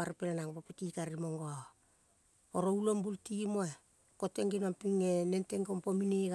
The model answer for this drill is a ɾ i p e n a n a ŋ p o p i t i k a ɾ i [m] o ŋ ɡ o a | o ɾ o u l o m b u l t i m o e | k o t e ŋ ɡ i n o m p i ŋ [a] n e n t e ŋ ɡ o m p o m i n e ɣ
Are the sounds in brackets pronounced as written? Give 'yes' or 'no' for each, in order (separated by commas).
yes, no